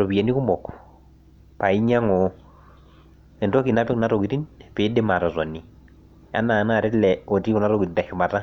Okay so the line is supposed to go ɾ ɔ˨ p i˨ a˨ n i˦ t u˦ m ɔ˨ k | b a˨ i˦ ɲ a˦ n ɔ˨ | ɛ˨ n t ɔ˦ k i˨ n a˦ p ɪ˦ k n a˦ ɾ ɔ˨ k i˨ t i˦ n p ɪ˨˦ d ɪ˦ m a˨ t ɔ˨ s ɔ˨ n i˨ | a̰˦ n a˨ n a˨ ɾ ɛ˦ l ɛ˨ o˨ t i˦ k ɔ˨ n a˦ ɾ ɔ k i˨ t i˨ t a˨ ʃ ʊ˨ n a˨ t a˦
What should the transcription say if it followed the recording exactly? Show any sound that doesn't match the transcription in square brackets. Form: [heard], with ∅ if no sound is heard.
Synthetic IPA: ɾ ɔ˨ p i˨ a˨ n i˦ [k] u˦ m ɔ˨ k | [p] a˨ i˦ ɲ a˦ [ŋ] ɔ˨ | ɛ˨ n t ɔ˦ k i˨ n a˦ p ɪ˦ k n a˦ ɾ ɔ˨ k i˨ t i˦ n p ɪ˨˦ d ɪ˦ m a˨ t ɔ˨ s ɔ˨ n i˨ | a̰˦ n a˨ n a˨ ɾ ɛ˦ l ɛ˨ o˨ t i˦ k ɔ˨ n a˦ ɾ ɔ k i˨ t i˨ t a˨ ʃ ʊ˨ [m] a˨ t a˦